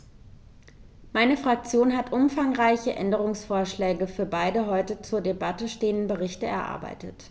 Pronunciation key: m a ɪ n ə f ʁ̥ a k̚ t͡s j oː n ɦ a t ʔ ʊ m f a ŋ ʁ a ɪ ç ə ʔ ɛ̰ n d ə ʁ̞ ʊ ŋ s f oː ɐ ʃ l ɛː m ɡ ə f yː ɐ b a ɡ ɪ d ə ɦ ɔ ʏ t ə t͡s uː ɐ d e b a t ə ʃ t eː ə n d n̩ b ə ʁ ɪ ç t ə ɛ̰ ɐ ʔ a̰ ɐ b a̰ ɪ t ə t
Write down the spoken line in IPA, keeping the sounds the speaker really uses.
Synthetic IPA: m a ɪ n ə f ʁ̥ a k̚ t͡s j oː n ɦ a t ʔ ʊ m f a ŋ ʁ a ɪ ç ə ʔ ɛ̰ n d ə ʁ̞ ʊ ŋ s f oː ɐ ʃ l ɛː ɡ ə f yː ɐ b a ɪ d ə ɦ ɔ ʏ t ə t͡s uː ɐ d e b a t ə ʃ t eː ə n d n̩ b ə ʁ ɪ ç t ə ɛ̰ ɐ ʔ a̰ ɐ b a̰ ɪ t ə t